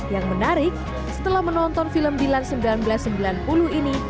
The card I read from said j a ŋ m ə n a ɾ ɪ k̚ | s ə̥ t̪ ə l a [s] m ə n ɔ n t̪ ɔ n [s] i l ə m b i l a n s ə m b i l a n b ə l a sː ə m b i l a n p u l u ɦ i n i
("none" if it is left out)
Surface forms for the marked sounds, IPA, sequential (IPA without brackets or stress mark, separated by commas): h, f